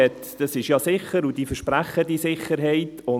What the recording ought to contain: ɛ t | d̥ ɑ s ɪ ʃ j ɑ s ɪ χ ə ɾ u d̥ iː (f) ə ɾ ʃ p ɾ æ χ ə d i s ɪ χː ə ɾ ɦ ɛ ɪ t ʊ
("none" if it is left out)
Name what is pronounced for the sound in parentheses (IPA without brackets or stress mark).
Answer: f